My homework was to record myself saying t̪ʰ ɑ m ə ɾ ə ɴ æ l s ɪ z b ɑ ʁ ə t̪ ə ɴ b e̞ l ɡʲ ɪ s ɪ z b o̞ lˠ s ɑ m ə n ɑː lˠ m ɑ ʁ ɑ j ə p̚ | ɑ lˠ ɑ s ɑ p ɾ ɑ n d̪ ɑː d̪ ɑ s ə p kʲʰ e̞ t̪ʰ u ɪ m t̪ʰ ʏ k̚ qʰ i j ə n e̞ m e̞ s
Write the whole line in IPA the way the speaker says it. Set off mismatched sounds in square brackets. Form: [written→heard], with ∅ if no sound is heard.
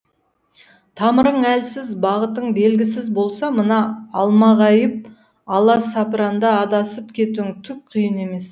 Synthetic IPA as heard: t̪ʰ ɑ m ə ɾ ə ɴ æ l s ɪ z b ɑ ʁ ə t̪ ə ɴ b e̞ l ɡʲ ɪ s ɪ z b o̞ lˠ s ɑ m ə n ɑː lˠ m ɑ ʁ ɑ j ə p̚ | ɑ lˠ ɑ s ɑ p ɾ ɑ n d̪ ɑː d̪ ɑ s ə p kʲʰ e̞ [t̪ʰ→t̪] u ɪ [m→ŋ] t̪ʰ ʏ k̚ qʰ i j ə n e̞ m e̞ s